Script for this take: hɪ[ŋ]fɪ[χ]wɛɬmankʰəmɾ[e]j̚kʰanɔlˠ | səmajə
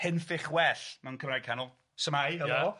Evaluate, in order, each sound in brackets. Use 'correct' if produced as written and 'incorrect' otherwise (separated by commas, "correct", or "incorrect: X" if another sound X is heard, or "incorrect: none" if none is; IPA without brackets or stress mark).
incorrect: n, correct, incorrect: a